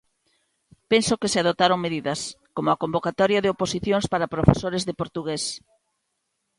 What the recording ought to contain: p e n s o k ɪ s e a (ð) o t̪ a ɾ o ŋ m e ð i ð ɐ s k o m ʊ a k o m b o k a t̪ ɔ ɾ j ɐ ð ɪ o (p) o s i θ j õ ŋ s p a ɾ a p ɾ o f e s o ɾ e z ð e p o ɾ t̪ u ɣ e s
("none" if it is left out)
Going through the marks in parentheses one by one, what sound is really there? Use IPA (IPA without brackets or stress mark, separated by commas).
ð, p